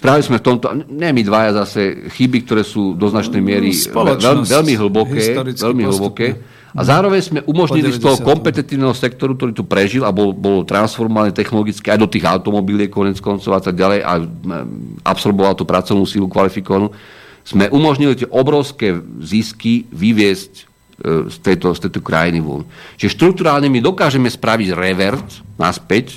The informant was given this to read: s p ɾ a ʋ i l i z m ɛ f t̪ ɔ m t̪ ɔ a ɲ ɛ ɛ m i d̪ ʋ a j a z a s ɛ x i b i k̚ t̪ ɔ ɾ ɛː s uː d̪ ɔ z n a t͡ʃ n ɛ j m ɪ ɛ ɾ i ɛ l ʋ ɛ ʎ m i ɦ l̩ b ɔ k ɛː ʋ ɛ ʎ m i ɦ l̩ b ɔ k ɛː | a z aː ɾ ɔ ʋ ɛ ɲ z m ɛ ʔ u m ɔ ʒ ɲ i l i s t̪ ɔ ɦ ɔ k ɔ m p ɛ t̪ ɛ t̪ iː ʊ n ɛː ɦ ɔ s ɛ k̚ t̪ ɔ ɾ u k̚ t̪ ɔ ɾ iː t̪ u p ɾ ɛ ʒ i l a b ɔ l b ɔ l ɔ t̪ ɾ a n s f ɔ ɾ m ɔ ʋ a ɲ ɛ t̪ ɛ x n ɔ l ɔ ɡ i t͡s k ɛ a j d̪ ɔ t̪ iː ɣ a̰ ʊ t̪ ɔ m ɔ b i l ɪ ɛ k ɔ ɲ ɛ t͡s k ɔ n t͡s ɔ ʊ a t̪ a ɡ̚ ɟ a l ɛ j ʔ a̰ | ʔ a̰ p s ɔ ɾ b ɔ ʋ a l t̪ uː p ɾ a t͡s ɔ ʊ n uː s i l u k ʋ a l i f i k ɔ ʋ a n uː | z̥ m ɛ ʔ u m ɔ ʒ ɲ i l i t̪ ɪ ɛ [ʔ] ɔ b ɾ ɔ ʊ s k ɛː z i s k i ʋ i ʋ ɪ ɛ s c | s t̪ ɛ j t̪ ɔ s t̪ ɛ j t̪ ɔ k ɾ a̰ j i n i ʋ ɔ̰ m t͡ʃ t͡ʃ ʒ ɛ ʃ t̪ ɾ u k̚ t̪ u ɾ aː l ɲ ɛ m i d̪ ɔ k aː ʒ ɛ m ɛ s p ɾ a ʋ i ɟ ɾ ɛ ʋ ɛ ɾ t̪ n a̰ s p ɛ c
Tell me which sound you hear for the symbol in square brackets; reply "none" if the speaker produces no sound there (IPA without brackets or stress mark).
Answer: ʔ